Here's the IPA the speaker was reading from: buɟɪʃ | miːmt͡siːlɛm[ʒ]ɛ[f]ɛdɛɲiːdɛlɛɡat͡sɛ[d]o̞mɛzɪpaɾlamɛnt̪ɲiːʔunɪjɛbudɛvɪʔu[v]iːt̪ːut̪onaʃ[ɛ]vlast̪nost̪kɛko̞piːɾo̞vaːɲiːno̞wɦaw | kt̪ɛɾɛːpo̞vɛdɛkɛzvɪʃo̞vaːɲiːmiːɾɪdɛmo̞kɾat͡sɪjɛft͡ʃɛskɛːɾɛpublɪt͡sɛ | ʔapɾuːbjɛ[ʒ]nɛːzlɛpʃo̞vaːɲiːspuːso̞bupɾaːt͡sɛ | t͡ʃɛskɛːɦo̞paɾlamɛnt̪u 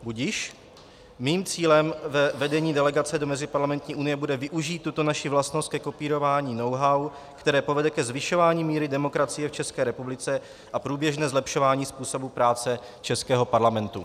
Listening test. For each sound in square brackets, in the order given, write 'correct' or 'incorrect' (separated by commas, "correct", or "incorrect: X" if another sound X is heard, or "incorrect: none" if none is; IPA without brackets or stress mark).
incorrect: v, incorrect: v, correct, incorrect: ʒ, incorrect: i, correct